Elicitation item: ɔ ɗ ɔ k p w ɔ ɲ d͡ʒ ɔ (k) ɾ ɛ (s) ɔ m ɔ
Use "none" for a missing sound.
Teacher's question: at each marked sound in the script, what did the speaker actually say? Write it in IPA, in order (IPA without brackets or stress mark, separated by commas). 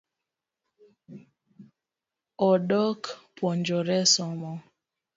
none, s